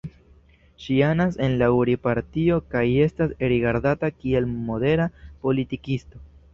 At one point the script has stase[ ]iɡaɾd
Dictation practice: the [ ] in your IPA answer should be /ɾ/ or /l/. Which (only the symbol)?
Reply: ɾ